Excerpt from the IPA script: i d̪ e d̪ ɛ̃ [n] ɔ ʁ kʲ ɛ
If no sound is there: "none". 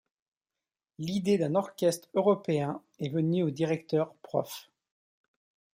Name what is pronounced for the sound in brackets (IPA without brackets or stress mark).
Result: n